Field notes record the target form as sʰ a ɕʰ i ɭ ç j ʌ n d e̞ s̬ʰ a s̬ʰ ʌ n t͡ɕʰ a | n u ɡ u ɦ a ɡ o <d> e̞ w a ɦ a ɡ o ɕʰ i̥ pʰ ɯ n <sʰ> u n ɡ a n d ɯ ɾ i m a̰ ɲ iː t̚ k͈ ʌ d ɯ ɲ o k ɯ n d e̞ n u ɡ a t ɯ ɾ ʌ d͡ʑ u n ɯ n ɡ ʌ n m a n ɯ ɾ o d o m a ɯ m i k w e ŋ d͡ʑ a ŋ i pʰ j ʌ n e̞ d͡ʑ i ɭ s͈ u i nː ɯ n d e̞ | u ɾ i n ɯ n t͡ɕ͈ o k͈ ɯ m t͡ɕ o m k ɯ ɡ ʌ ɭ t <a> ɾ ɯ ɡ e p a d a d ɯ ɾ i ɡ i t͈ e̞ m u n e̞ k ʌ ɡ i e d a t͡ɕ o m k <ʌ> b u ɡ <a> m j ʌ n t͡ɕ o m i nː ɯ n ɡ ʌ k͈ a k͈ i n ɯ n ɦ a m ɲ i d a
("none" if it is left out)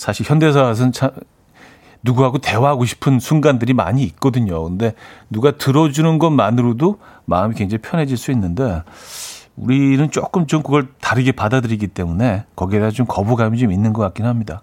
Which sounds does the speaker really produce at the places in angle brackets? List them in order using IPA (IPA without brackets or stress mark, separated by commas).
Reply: t, sʰ, a, ʌ, a